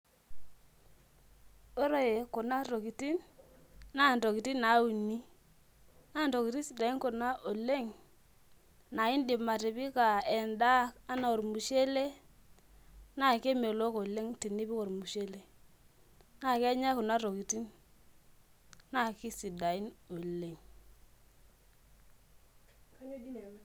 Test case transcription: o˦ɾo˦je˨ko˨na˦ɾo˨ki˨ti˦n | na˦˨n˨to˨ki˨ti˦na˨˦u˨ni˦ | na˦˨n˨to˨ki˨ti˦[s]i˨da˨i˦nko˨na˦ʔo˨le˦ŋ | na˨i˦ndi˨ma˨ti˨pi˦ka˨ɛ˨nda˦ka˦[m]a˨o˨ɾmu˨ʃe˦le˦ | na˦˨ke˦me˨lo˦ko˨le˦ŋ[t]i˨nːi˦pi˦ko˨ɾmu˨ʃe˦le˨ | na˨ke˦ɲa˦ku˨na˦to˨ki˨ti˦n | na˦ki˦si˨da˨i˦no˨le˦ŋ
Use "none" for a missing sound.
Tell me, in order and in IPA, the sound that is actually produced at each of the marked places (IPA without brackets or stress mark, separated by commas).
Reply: s, n, t